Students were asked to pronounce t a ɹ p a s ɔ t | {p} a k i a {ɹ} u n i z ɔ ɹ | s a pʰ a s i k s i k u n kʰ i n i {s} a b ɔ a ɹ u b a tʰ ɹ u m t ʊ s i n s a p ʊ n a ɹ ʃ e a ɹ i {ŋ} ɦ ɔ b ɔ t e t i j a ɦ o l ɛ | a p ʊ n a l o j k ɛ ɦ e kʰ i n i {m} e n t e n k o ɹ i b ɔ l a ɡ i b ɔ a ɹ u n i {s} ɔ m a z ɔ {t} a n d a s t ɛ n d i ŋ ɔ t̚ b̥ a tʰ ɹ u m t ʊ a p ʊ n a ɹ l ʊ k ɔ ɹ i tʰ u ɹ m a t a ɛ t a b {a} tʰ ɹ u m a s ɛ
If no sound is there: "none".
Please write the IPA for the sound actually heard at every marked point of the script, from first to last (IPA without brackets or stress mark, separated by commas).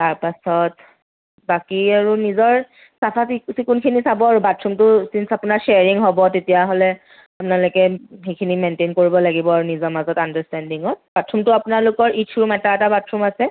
b, ɹ, s, ŋ, m, z, t, a